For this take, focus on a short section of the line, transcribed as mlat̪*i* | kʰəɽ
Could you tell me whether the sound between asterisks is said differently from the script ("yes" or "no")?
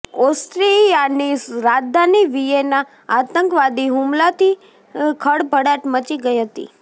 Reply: no